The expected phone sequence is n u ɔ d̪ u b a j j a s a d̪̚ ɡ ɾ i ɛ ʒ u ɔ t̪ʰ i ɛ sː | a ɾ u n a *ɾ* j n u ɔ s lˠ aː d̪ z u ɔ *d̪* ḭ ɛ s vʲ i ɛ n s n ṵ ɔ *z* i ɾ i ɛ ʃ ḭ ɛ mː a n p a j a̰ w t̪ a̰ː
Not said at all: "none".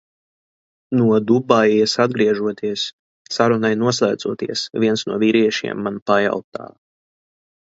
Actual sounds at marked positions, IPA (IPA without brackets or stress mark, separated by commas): none, t̪, v